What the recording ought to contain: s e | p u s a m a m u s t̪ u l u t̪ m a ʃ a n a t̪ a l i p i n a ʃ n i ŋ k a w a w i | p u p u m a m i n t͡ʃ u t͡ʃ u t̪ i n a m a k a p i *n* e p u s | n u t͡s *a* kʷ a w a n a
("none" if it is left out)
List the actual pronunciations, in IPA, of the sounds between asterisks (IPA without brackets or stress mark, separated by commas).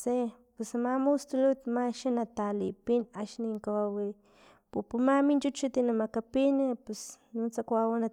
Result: n, a